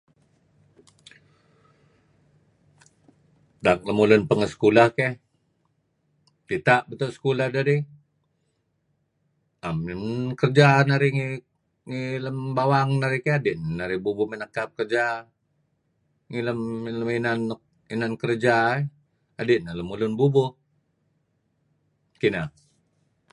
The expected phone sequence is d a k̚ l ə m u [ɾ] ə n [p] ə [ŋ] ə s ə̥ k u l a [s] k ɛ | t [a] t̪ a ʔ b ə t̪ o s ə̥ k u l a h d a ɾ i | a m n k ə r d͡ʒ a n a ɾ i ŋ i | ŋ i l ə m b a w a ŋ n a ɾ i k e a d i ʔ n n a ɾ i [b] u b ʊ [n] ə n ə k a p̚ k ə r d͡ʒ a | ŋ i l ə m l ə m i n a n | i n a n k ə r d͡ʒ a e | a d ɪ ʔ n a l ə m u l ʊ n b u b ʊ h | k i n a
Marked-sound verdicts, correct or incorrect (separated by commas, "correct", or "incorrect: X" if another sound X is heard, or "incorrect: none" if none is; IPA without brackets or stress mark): incorrect: l, correct, correct, incorrect: h, incorrect: i, correct, incorrect: m